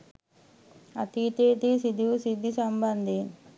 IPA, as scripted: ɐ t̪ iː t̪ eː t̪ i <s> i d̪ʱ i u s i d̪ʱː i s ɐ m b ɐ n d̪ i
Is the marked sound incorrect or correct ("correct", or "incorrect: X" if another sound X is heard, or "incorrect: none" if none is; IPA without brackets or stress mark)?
correct